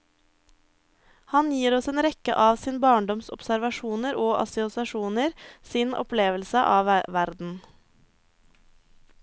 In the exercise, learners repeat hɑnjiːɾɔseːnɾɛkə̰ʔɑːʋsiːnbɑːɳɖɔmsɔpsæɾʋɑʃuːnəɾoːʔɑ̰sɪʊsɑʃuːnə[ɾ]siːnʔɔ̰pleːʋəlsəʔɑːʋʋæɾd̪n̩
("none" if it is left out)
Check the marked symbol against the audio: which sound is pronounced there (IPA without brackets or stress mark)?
ɾ